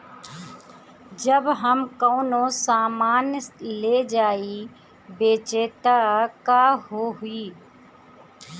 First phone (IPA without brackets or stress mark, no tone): d͡ʒ